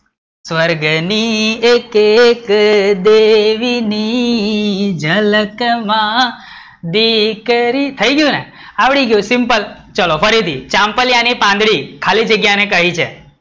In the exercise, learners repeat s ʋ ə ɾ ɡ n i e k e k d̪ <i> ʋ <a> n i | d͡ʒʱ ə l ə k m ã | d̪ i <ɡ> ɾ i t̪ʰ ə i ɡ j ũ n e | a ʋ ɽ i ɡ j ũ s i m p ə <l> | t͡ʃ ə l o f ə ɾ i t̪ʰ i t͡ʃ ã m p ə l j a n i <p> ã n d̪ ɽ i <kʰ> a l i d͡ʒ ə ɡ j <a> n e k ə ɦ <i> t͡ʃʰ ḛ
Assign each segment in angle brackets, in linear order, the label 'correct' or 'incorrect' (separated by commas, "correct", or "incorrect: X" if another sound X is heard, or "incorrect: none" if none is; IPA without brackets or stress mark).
incorrect: e, incorrect: i, incorrect: k, correct, correct, correct, correct, correct